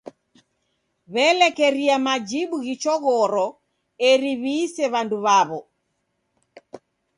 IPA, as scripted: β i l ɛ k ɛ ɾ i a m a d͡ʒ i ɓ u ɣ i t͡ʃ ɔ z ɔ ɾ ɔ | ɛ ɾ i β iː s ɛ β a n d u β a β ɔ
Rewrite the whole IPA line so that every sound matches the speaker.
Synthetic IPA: β ɛ l ɛ k ɛ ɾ i a m a d͡ʒ i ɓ u ɣ i t͡ʃ ɔ ɣ ɔ ɾ ɔ | ɛ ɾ i β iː s ɛ β a n d u β a β ɔ